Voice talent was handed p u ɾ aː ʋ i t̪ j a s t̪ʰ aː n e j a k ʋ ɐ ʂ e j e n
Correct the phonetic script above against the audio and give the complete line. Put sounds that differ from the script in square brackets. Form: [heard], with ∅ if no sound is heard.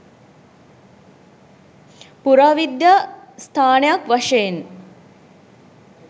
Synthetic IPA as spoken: p u ɾ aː ʋ i [d̪] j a s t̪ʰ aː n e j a k ʋ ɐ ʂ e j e n